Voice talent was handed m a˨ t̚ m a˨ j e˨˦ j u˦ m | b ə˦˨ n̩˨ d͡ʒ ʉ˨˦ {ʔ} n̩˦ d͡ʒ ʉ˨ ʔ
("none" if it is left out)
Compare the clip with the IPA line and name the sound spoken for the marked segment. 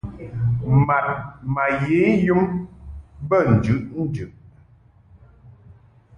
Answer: ʔ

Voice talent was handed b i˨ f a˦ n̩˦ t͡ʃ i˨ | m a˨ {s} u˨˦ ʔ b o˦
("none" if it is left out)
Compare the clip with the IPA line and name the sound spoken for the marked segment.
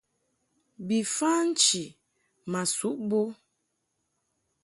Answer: s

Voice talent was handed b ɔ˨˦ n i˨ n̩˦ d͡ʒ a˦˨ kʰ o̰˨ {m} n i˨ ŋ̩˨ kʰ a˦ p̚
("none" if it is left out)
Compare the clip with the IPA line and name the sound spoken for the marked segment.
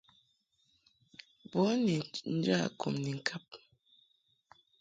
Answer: m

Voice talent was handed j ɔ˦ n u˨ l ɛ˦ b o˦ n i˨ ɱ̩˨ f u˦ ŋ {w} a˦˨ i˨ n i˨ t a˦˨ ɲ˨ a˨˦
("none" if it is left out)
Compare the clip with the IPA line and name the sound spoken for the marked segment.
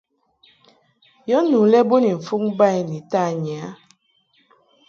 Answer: b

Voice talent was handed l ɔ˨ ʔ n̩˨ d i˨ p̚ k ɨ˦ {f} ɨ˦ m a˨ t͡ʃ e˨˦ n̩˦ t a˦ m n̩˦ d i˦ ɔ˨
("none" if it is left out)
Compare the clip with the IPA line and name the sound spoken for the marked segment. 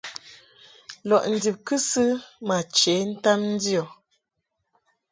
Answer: s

